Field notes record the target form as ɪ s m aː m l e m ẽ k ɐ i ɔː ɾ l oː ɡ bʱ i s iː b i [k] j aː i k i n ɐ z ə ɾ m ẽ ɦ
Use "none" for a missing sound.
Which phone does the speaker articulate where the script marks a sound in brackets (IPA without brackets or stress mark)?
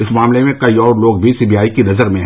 none